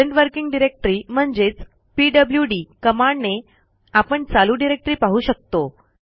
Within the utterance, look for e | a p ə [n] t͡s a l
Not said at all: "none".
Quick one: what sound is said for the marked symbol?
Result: ɳ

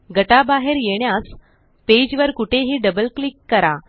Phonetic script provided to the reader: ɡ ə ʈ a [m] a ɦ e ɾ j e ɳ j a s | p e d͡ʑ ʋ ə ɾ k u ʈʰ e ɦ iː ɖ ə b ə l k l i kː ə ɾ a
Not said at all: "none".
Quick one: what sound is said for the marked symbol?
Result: b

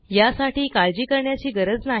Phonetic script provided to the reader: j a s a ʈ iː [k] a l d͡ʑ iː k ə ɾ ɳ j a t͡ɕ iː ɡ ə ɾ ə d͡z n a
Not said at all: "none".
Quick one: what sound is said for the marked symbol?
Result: k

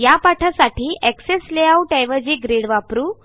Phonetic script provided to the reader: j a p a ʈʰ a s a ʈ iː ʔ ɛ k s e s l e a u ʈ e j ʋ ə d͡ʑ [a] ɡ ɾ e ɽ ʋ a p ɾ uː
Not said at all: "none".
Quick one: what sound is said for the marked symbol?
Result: i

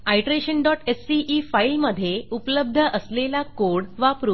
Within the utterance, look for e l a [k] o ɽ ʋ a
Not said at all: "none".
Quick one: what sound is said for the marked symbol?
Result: k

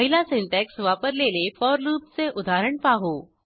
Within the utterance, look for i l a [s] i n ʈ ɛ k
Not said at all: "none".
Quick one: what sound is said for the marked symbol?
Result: s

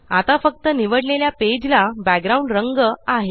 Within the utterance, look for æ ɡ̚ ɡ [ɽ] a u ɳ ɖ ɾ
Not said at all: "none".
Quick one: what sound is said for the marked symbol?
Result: ɾ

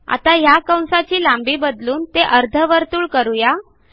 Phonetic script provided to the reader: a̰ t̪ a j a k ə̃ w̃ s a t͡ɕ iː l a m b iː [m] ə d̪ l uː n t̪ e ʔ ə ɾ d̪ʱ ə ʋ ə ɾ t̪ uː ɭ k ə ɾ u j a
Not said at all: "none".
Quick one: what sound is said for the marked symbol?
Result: b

